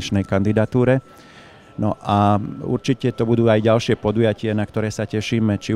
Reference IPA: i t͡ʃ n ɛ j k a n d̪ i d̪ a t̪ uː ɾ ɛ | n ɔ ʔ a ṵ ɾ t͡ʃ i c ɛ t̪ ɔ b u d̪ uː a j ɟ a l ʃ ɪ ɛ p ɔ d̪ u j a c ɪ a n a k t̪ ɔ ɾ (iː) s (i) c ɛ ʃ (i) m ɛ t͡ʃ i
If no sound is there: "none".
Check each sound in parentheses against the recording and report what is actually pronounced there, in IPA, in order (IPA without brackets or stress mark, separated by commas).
ɛː, a, iː